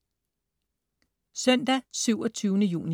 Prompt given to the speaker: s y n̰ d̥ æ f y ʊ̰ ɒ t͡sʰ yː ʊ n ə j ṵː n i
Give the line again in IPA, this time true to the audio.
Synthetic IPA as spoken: s œ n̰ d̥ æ s y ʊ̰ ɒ t͡sʰ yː ʊ n ə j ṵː n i